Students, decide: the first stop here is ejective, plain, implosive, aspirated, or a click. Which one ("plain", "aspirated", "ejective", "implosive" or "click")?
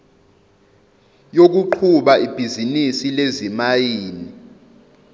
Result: plain